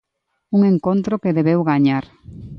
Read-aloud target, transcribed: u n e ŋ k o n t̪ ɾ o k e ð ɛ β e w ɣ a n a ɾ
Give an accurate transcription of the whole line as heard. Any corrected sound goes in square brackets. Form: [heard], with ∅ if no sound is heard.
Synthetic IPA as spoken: u [ŋ] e ŋ k o n t̪ ɾ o k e ð [e] β e w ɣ a [ɲ] a ɾ